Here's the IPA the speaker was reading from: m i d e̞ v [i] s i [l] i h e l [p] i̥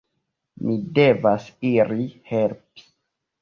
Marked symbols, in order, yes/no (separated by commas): no, no, yes